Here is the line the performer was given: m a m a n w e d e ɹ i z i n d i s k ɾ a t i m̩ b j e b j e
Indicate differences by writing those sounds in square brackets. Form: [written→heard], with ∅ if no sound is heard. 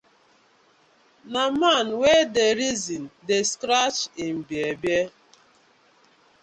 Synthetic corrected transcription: [m→n] a m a n w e d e [ɹ→ɾ] i z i n d [i→e] s k ɾ a [t→t͡ʃ] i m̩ b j e b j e